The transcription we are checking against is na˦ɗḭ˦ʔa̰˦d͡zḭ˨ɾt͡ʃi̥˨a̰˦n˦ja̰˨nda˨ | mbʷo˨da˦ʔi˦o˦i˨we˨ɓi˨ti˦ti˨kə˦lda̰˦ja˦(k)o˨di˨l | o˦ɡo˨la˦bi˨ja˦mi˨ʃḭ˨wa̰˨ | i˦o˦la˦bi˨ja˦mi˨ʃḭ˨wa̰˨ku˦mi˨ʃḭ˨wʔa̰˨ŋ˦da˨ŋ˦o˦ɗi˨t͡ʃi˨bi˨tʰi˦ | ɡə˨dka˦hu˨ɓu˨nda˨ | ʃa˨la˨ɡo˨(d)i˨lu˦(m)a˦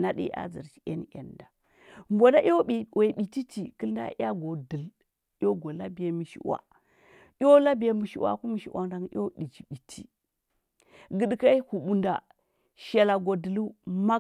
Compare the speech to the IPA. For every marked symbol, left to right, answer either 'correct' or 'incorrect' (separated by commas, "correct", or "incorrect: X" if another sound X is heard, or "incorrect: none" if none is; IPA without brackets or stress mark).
incorrect: ɡ, correct, correct